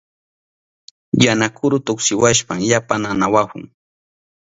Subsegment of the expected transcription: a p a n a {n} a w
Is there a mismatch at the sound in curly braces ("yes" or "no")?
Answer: no